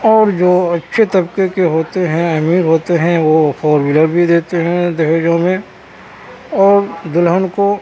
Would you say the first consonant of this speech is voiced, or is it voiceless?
voiced